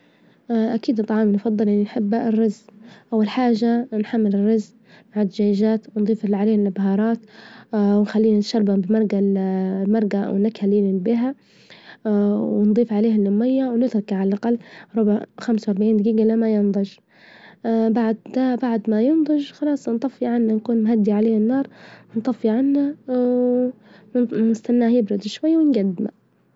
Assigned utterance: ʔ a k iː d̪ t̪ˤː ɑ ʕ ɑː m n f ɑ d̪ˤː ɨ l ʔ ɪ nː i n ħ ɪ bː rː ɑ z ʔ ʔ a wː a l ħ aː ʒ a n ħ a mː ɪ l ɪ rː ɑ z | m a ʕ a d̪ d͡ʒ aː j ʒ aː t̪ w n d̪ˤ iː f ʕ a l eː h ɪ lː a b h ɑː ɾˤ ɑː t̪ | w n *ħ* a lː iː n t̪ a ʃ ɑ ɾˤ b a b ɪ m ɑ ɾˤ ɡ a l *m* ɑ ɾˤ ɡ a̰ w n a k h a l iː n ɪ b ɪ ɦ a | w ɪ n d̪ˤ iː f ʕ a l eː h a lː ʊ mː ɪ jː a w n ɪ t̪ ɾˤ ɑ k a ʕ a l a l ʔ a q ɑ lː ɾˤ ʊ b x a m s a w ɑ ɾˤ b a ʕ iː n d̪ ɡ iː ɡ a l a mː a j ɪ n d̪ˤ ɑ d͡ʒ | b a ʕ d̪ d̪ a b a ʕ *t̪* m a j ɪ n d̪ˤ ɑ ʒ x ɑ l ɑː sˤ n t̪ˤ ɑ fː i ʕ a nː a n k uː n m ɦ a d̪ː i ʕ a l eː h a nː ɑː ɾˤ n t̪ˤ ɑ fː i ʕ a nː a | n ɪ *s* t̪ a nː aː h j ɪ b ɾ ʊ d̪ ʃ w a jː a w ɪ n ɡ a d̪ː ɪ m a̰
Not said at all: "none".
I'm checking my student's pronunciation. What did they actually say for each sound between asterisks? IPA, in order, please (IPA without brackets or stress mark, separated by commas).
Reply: x, m, d̪, s